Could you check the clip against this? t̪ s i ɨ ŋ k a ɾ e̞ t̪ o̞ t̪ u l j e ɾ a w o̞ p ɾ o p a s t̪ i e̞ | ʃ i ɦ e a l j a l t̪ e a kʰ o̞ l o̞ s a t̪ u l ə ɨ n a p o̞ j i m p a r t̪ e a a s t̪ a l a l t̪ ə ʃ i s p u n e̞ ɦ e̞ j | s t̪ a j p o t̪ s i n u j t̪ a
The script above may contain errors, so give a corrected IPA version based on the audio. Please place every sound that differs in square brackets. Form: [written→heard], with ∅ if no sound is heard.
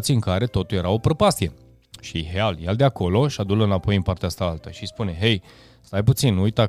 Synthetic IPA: t̪ s i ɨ ŋ k a ɾ e̞ t̪ o̞ t̪ u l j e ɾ a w o̞ p ɾ o p a s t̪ i e̞ | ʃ i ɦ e a l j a l [t̪→d̪] e a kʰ o̞ l o̞ [s→ʃ] a [t̪→d̪] u l ə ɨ n a p o̞ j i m p a r t̪ e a a s t̪ a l a l t̪ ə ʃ i s p u n e̞ ɦ e̞ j | s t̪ a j p [o→u] t̪ s i n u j t̪ a